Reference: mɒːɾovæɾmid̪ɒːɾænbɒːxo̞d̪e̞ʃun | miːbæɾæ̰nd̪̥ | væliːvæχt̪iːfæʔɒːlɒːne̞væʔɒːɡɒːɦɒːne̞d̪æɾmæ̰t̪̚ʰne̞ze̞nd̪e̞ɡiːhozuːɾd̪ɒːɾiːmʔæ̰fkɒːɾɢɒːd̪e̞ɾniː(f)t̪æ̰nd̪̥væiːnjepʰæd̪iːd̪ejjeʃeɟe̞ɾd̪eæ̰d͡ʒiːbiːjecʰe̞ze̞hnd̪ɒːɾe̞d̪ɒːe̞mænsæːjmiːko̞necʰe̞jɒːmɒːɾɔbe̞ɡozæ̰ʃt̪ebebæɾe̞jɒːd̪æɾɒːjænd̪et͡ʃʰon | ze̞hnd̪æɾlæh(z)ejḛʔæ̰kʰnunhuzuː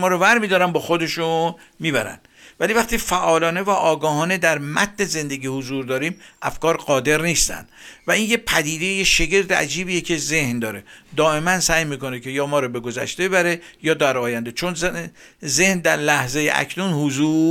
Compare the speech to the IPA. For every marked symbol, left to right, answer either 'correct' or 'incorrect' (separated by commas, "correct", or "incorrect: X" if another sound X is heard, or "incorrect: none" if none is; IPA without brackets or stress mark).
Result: incorrect: s, correct